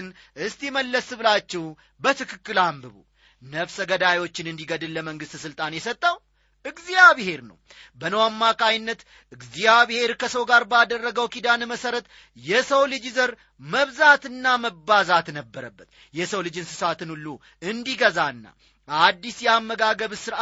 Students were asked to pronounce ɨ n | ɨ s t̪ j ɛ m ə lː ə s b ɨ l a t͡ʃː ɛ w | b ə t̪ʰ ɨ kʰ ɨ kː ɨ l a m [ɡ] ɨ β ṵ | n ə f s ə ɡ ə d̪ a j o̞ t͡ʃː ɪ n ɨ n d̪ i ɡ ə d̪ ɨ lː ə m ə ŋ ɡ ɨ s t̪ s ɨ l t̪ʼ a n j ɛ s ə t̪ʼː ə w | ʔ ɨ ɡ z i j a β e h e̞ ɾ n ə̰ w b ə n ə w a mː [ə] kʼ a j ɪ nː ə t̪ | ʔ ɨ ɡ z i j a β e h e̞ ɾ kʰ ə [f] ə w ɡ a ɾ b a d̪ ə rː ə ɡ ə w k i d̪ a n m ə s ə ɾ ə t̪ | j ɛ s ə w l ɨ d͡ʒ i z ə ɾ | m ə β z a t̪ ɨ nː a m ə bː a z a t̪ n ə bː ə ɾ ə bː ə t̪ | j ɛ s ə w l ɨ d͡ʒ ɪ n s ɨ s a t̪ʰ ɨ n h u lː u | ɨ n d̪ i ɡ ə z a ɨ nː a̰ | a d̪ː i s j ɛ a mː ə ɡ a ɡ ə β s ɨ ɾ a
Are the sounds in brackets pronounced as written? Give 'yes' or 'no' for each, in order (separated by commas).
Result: no, no, no